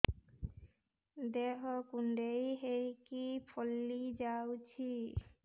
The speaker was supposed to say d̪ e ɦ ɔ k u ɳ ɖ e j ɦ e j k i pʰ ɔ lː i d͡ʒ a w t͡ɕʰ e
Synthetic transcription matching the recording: d̪ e ɦ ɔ k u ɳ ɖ e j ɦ e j k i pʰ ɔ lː i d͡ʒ a w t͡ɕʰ i